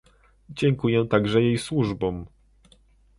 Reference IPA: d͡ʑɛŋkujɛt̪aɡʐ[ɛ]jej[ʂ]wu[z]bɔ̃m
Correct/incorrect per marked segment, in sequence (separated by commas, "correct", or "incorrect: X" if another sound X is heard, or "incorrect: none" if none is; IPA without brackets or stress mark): correct, incorrect: s, incorrect: ʐ